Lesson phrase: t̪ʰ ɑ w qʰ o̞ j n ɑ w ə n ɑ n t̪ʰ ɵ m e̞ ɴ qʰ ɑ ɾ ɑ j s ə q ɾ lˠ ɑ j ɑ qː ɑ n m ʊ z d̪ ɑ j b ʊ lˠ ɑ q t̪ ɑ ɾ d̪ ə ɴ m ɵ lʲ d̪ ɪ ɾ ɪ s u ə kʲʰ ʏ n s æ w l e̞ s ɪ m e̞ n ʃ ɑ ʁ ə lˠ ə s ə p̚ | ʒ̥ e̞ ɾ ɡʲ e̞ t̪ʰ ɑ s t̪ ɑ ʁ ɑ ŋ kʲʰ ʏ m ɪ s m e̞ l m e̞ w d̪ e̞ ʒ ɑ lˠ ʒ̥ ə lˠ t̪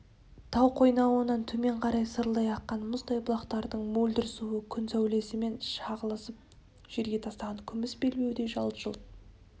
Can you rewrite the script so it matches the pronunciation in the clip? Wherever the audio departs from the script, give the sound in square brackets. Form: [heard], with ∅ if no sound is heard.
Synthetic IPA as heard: t̪ʰ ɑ w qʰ o̞ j n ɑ w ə n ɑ n t̪ʰ ɵ m e̞ ɴ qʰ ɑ ɾ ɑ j s ə [∅] ɾ lˠ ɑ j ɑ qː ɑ n m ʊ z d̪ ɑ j b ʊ lˠ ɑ q t̪ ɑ ɾ d̪ ə ɴ m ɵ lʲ d̪ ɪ ɾ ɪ s u ə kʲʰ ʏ n s æ w l e̞ s ɪ m e̞ n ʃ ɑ ʁ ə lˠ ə s ə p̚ | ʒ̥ e̞ ɾ ɡʲ e̞ t̪ʰ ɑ s t̪ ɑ ʁ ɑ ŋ kʲʰ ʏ m ɪ s [b] e̞ l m e̞ w d̪ e̞ ʒ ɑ lˠ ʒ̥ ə lˠ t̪

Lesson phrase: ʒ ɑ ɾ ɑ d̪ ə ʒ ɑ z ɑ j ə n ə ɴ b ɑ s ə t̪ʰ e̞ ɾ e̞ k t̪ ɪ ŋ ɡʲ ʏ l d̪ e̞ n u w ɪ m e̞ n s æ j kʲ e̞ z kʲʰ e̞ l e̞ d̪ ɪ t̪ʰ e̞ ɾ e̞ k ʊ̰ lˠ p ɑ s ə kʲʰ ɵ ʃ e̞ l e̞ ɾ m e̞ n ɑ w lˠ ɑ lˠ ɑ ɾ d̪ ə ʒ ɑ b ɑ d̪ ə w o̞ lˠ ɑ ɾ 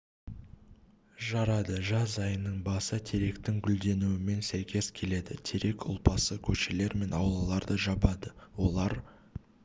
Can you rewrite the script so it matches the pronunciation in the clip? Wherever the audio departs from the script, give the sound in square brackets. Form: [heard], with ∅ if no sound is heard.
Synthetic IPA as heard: ʒ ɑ ɾ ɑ d̪ ə ʒ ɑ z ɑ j ə n ə ɴ b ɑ s ə t̪ʰ e̞ ɾ e̞ k t̪ ɪ ŋ ɡʲ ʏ l d̪ e̞ n u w ɪ m e̞ n s æ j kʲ e̞ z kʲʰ e̞ l e̞ d̪ ɪ t̪ʰ e̞ ɾ e̞ k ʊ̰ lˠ p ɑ s ə kʲʰ ɵ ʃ e̞ l e̞ ɾ m e̞ n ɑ w lˠ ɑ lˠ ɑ ɾ d̪ ə ʒ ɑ b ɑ d̪ ə w o̞ lˠ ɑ ɾ

